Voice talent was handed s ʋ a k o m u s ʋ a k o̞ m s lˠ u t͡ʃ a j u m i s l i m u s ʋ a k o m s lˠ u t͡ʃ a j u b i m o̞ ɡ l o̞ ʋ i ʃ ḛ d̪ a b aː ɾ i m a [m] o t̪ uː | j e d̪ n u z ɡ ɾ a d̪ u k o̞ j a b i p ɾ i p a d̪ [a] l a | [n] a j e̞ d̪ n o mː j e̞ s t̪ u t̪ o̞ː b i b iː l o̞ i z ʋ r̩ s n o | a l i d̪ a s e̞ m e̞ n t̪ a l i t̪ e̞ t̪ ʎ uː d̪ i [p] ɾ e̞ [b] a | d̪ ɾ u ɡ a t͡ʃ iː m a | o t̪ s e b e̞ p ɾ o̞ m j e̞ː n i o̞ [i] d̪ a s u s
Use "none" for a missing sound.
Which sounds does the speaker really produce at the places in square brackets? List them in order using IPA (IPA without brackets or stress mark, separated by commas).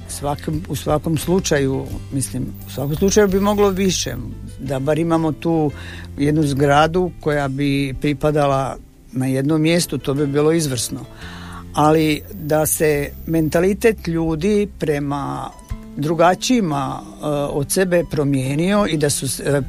m, a, n, p, m, i